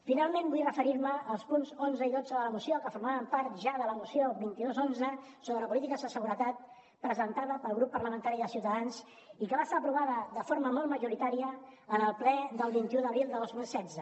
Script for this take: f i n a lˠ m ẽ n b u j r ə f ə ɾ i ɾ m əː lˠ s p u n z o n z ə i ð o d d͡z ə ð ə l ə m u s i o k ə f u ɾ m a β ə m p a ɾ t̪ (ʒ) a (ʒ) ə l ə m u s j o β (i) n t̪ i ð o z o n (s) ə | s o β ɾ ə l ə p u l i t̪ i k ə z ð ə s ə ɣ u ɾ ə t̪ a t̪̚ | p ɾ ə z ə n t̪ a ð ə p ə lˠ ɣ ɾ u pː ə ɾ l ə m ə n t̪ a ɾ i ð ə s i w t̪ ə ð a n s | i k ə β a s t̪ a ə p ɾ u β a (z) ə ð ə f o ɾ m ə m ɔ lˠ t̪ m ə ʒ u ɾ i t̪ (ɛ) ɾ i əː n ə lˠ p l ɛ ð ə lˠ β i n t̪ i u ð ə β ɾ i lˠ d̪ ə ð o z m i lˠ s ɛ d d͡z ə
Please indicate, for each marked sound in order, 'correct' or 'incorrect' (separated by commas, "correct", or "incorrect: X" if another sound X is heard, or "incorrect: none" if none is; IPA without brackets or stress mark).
correct, incorrect: ð, correct, incorrect: z, incorrect: ð, incorrect: a